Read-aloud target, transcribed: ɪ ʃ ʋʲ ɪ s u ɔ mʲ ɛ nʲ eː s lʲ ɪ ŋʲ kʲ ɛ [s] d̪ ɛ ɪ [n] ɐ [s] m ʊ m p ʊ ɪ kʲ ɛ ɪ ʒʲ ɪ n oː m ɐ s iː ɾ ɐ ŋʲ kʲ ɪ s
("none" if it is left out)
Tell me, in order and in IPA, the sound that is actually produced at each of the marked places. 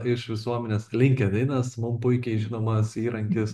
none, n, s

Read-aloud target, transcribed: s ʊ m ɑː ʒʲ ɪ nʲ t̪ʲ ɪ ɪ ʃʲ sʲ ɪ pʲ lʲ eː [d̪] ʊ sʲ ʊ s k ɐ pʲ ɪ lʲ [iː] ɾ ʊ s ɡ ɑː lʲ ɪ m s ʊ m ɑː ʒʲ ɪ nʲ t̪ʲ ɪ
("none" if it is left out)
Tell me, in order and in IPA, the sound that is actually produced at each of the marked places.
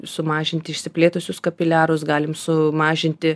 t̪, æː

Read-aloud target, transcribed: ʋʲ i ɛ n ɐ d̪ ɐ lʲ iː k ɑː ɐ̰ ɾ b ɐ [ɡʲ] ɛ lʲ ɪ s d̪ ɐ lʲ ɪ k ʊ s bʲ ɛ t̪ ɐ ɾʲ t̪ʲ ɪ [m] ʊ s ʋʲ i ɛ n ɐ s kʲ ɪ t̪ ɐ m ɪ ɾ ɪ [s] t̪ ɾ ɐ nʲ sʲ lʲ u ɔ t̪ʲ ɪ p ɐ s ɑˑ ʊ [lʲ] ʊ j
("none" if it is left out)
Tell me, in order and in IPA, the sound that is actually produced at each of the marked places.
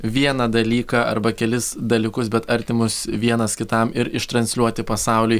kʲ, m, ʃ, lʲ

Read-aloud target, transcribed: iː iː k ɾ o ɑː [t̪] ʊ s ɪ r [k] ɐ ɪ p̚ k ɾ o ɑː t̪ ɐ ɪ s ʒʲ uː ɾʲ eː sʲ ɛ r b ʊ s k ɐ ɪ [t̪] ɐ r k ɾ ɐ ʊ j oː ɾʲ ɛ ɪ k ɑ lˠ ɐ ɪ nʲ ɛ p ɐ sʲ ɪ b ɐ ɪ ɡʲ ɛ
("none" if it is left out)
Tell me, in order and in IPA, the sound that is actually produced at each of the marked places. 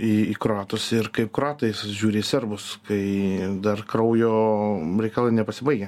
t̪, k, d̪

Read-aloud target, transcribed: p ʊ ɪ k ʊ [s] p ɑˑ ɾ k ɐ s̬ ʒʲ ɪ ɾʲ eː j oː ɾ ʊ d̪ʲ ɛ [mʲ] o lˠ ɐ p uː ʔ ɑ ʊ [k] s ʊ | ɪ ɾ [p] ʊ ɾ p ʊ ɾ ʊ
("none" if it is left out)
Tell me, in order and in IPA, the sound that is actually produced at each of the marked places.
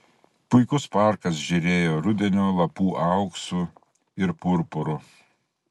s, nʲ, k, p

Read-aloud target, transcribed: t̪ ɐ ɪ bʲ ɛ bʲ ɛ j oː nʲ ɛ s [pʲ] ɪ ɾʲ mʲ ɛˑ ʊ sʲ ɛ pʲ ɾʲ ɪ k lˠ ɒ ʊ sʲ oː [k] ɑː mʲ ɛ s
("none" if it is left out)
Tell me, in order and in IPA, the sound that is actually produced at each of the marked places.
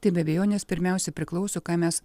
pʲ, k

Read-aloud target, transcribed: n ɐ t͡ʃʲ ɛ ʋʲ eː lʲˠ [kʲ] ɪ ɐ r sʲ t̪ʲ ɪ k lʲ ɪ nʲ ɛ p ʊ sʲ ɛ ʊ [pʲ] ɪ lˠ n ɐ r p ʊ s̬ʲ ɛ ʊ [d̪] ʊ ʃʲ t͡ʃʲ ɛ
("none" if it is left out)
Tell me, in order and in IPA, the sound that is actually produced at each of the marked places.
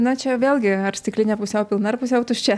ɡʲ, pʲ, t̪

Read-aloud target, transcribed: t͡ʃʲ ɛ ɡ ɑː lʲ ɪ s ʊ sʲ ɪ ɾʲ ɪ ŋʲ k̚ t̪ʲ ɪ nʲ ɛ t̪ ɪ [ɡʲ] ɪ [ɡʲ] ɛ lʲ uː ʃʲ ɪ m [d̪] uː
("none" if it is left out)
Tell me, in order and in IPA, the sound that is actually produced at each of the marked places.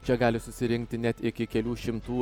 kʲ, kʲ, t̪

